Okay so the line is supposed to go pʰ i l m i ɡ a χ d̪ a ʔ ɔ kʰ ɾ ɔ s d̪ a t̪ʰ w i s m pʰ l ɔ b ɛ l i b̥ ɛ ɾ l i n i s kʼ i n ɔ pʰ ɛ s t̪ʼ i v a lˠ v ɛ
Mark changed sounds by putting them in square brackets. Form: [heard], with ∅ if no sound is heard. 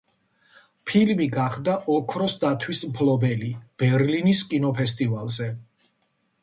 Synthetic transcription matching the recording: pʰ i l m i ɡ a χ d̪ a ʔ ɔ kʰ ɾ ɔ s d̪ a t̪ʰ w i s m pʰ l ɔ b ɛ l i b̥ ɛ ɾ l i n i s kʼ i n ɔ pʰ ɛ s t̪ʼ i v a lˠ [z] ɛ